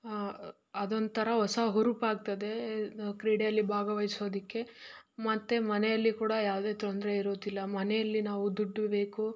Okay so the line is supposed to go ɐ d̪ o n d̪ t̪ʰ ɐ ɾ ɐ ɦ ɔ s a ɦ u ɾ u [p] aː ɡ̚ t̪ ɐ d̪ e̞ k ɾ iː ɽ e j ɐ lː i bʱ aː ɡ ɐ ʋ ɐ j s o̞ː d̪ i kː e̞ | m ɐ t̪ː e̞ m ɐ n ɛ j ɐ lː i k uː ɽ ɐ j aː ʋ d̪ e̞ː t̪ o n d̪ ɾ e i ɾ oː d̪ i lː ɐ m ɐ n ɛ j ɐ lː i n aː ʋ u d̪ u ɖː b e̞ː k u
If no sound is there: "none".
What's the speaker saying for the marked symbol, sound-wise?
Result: p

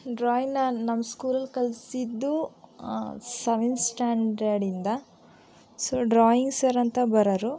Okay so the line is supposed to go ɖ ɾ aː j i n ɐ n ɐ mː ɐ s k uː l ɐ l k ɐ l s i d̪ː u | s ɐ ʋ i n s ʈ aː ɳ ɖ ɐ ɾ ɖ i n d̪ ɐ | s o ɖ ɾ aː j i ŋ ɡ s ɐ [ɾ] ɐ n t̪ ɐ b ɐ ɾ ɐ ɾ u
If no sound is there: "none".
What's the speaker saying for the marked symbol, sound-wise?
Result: ɾ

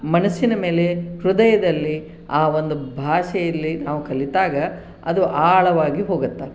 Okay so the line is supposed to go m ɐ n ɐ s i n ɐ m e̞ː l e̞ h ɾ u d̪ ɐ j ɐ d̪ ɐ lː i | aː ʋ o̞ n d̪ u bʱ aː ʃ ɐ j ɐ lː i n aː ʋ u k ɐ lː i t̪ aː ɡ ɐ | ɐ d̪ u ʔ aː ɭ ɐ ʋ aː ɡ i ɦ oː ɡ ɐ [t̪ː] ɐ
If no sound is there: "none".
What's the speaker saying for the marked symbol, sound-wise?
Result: t̪ː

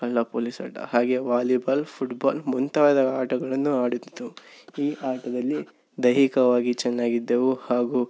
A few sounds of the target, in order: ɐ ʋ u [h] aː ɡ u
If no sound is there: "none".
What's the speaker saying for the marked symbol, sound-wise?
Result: h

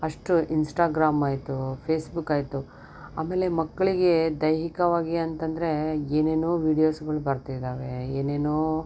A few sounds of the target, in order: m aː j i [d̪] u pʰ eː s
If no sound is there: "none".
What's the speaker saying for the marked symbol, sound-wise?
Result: t̪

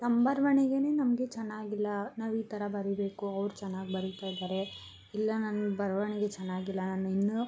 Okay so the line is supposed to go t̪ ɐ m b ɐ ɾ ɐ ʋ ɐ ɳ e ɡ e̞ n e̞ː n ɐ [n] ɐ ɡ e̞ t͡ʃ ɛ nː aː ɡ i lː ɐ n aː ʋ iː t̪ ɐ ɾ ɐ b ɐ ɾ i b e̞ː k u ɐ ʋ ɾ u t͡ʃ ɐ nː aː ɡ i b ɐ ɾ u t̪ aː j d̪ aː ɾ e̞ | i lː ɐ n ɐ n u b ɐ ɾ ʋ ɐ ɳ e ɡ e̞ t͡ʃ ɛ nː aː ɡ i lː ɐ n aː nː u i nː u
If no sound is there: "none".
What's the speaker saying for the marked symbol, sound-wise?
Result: m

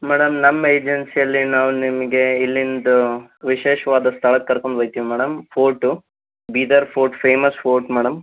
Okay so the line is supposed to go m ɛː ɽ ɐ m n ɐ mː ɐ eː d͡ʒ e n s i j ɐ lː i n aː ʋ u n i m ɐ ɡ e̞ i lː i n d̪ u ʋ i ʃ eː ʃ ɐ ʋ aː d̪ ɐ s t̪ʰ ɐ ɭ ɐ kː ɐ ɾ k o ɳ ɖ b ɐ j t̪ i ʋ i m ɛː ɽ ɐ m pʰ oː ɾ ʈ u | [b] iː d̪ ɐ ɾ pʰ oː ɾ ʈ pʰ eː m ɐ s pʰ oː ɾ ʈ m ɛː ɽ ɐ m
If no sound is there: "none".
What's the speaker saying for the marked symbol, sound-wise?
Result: b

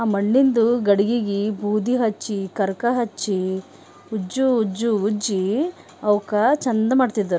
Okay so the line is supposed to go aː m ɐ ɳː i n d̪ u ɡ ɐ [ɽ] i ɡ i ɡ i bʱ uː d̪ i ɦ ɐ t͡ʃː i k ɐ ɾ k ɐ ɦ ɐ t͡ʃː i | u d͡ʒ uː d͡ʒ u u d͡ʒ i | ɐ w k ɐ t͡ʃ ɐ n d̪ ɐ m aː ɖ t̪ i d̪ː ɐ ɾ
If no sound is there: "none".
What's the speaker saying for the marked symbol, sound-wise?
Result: ɽ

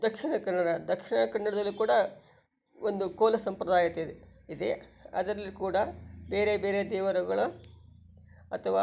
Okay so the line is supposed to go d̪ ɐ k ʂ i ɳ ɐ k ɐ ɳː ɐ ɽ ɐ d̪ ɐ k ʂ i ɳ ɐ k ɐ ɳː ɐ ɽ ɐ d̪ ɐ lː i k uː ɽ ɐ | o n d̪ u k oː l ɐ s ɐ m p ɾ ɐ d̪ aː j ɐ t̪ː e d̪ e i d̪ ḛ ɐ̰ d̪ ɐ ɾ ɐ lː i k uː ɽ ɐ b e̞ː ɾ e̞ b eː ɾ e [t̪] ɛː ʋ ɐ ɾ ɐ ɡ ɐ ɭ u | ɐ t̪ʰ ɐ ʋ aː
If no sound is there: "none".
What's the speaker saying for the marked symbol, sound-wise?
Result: d̪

